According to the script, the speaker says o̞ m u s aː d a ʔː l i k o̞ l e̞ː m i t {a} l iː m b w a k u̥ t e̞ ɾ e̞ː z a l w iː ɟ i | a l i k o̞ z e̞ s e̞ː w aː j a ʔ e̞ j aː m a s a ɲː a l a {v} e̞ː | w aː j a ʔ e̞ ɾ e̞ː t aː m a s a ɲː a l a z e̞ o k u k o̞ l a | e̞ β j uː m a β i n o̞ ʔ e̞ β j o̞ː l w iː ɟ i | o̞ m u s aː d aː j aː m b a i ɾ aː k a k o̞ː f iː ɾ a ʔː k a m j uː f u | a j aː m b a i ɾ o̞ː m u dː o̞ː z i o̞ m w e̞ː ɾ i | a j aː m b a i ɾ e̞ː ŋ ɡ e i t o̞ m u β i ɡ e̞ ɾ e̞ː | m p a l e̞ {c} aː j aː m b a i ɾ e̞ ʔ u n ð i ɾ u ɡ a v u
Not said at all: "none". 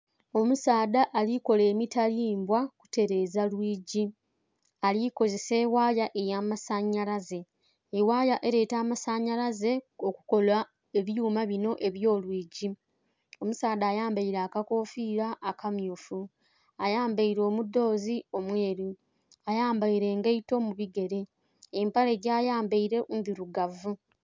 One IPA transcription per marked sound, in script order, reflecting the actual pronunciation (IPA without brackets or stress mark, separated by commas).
a, z, ɟ